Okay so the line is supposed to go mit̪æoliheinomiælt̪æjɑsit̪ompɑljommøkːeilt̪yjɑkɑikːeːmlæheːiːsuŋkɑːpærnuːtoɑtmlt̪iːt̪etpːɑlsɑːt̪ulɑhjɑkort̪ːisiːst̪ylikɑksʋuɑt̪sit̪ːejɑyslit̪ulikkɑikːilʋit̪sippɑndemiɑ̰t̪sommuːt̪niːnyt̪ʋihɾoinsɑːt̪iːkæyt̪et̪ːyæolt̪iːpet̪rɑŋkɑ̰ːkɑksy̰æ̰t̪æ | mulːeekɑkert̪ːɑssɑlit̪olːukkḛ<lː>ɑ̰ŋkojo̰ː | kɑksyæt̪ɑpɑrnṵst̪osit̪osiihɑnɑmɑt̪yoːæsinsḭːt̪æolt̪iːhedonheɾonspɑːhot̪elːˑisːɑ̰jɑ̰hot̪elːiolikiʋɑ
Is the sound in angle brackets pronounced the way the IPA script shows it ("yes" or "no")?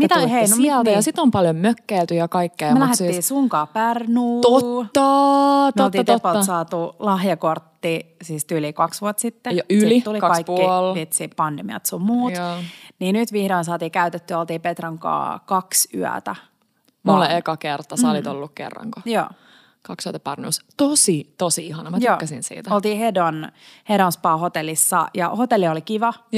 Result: no